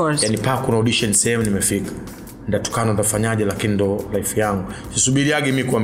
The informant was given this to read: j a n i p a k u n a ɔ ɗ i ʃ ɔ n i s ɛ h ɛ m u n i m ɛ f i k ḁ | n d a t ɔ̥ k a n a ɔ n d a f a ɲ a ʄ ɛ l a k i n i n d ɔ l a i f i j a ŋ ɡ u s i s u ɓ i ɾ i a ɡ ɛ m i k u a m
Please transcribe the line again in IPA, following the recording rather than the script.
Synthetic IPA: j a n i p a k u n a ɔ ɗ i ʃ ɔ n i s ɛ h ɛ m u n i m ɛ f i k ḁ | n d a t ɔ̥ k a n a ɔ n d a f a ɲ a ʄ ɛ l a k i n i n d ɔ l a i f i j a ŋ ɡ u s i s u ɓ i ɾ i a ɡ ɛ m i k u a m